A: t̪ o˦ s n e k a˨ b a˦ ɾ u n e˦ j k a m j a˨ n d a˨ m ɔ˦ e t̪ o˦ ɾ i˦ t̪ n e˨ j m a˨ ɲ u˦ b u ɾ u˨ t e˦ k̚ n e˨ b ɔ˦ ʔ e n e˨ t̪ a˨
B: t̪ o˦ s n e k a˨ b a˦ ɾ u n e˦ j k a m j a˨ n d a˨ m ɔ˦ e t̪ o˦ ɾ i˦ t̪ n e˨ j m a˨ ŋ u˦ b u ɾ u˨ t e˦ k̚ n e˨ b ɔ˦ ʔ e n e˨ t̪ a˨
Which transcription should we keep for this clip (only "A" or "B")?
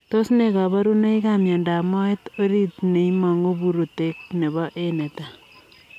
B